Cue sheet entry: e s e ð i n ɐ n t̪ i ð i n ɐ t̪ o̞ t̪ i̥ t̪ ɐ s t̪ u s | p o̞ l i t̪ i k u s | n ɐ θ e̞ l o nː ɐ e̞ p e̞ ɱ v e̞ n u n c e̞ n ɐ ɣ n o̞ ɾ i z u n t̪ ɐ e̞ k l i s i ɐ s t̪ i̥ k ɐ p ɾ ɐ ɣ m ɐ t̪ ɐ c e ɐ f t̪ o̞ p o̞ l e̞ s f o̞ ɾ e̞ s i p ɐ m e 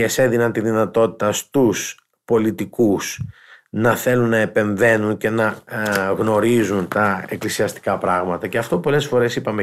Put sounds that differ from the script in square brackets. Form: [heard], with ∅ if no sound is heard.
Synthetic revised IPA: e s e ð i n ɐ n t̪ i ð i n ɐ t̪ o̞ t̪ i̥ t̪ ɐ s t̪ u s | p o̞ l i t̪ i k u s | n ɐ θ e̞ l [u] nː ɐ e̞ p e̞ ɱ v e̞ n u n c e̞ n ɐ ɣ n o̞ ɾ i z u n t̪ ɐ e̞ k l i s i ɐ s t̪ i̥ k ɐ p ɾ ɐ ɣ m ɐ t̪ ɐ c e ɐ f t̪ o̞ p o̞ l e̞ s f o̞ ɾ e̞ s i p ɐ m e